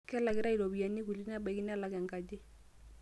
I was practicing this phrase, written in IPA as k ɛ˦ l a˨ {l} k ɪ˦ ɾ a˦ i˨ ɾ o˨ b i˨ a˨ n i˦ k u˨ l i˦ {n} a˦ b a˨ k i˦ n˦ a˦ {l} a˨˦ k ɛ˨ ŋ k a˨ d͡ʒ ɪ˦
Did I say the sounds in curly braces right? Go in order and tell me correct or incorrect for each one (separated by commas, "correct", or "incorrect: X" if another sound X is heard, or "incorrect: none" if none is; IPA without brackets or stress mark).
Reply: incorrect: none, correct, correct